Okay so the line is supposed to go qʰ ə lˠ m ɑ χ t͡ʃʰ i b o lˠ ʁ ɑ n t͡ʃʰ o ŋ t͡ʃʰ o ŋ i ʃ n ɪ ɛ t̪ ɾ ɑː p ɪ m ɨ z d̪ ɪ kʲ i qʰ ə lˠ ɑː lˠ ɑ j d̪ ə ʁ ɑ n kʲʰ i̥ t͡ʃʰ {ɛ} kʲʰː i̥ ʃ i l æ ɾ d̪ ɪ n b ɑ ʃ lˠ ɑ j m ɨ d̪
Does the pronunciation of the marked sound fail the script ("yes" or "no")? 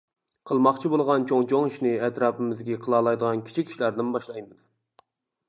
yes